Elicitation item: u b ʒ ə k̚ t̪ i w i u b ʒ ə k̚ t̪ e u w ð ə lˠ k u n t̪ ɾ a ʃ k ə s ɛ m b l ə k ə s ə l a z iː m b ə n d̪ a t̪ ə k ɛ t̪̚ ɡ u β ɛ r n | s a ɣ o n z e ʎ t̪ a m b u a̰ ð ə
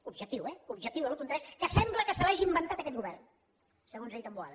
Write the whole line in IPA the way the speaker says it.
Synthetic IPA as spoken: u b ʒ ə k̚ t̪ i w ɛ u b ʒ ə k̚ t̪ i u w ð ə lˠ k u n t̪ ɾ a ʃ k ə s ɛ m b l ə k ə s ə l a ʒ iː m b ə n t̪ a t̪ ə k ɛ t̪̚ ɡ u β ɛ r n | s ə ɣ o n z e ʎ t̪ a m b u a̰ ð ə